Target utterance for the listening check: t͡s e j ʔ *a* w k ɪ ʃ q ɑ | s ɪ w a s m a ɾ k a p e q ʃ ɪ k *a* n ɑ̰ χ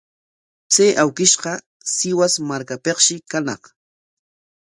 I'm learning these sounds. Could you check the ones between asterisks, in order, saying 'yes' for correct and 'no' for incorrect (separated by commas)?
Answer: yes, yes